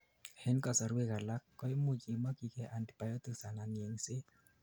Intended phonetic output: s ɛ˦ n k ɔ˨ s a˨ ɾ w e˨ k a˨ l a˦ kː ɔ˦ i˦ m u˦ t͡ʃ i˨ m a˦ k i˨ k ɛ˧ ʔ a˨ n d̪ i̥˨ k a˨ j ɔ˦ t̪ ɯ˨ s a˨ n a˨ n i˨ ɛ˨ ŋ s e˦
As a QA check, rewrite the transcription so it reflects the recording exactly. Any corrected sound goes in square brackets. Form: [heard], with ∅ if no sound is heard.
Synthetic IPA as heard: [h] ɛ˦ n k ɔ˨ s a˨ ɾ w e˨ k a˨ l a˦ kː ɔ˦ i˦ m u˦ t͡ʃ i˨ m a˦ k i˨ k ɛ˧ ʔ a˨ n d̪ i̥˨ [p] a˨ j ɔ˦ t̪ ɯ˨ s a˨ n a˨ n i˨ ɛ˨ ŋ s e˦